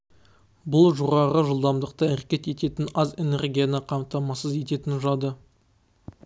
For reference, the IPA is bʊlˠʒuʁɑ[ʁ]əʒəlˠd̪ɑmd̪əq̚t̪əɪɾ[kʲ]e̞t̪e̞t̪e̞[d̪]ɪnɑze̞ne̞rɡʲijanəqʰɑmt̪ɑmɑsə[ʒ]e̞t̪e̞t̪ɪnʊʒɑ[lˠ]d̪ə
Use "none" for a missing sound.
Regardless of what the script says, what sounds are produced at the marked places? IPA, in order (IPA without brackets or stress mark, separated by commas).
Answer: ʁ, kʲ, t̪, z, none